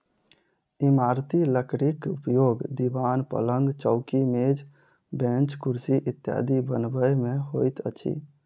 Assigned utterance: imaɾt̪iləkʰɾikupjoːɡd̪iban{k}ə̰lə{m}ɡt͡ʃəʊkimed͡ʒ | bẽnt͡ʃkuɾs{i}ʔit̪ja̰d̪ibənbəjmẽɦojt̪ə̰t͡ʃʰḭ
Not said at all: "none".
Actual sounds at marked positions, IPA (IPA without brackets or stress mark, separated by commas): p, ŋ, i